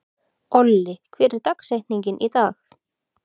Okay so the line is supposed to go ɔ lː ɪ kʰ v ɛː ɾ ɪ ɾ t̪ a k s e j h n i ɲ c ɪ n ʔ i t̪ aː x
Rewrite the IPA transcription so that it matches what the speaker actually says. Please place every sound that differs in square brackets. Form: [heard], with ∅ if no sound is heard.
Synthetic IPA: ɔ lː ɪ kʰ v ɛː ɾ ɪ ɾ t̪ a k s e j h n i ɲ c ɪ n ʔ i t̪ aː x